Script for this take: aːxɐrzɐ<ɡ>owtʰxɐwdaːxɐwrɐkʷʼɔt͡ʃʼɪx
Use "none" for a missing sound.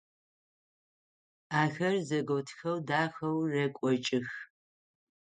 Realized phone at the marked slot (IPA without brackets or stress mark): ɡ